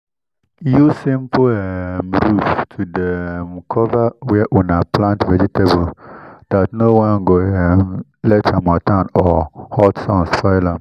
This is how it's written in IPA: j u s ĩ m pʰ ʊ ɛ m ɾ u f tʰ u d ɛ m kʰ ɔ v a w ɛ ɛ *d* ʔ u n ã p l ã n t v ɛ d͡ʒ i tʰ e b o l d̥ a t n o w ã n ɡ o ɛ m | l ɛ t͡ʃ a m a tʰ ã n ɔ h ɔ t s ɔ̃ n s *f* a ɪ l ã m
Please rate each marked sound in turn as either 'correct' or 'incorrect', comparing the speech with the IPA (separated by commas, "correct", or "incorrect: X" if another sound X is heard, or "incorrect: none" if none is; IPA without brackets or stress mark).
incorrect: none, correct